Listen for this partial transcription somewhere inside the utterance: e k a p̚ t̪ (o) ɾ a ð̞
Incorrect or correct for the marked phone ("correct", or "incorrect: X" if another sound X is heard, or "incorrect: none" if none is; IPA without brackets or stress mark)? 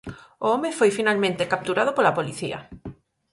incorrect: u